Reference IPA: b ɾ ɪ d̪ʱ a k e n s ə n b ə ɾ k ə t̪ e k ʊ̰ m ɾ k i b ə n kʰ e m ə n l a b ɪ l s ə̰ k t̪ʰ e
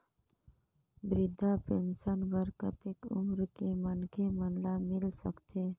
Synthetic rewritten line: b ɾ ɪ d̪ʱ a p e n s ə n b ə ɾ k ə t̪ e k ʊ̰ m ɾ k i m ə n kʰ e m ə n l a m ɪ l s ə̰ k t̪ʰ e